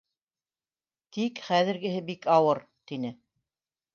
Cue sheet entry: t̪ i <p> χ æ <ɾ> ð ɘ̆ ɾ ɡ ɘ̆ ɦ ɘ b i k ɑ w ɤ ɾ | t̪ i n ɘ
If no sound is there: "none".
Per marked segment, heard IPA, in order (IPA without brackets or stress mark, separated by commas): k, none